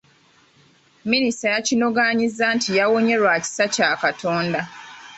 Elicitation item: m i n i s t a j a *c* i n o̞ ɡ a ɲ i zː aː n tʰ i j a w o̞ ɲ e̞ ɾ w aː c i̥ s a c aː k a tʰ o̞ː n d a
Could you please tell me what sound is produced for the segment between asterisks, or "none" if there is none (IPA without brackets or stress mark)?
c